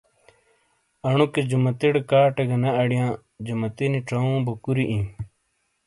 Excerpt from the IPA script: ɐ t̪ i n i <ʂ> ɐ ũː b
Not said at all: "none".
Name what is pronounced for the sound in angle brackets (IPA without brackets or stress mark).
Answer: ʈ͡ʂ